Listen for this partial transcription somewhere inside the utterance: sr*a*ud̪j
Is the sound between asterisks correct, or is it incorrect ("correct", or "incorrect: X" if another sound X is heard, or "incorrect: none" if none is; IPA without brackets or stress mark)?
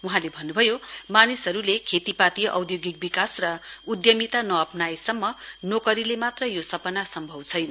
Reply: incorrect: ʌ